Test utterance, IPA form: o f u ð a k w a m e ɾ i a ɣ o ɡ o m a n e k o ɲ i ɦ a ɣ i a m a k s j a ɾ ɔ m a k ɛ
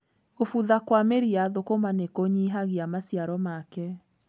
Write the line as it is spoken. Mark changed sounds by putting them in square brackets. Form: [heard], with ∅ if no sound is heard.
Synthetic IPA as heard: o f u ð a k w a m e ɾ i a [ð] o [k] o m a n e k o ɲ i ɦ a ɣ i a m a [∅] s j a ɾ ɔ m a k ɛ